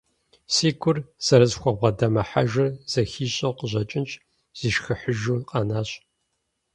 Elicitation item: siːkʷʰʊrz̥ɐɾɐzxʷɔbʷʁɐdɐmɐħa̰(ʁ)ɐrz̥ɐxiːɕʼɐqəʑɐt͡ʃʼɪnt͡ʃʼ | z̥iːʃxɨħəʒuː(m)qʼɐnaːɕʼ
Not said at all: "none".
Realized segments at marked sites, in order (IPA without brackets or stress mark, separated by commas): ʒ, none